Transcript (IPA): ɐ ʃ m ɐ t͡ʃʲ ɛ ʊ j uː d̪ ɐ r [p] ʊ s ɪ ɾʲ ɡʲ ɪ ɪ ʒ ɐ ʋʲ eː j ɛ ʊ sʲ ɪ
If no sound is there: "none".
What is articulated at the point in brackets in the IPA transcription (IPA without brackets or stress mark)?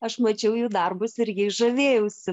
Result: b